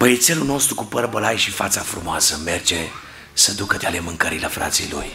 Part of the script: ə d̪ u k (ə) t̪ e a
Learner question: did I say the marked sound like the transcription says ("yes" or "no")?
yes